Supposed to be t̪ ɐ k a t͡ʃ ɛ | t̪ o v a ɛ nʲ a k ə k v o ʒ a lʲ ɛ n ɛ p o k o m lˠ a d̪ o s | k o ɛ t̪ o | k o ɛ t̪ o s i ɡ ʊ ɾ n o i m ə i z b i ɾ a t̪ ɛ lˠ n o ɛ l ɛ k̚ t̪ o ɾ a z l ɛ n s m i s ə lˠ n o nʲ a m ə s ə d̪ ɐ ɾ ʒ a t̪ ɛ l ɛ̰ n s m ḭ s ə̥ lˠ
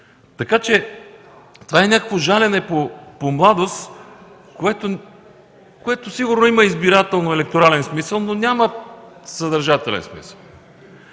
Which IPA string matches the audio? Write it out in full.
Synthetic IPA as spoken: t̪ ɐ k a t͡ʃ ɛ | t̪ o v a ɛ nʲ a k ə k v o ʒ a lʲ ɛ n ɛ p o p o m lˠ a d̪ o s | k o ɛ t̪ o | k o ɛ t̪ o s i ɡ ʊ ɾ n o i m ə i z b i ɾ a t̪ ɛ lˠ n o ɛ l ɛ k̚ t̪ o ɾ a l ɛ n s m i s ə lˠ n o nʲ a m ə s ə d̪ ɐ ɾ ʒ a t̪ ɛ l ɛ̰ n s m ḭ s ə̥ lˠ